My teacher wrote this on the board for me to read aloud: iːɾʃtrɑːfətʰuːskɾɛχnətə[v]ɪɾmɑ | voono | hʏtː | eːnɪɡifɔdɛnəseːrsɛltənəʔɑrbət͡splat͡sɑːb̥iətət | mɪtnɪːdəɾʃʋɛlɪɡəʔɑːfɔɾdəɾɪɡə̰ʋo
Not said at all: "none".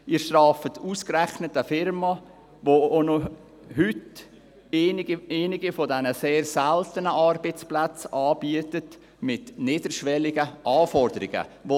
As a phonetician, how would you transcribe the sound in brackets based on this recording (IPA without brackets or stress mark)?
f